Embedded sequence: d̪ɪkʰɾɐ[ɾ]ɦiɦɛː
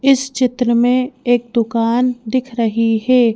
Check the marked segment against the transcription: incorrect: none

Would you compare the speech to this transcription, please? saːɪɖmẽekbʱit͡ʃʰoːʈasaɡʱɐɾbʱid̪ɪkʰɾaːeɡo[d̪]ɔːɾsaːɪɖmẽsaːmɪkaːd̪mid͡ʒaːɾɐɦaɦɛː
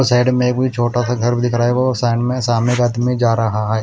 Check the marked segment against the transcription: incorrect: none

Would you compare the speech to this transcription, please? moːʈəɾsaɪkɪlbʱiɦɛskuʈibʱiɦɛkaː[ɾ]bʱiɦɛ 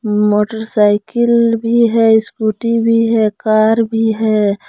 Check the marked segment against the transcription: correct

